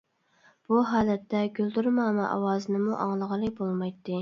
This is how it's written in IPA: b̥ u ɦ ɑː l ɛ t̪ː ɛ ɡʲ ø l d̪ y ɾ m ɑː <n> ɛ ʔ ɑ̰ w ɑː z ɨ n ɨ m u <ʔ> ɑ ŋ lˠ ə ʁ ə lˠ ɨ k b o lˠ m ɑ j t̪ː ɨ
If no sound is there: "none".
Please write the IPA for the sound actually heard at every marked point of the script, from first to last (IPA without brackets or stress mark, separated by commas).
m, ʔ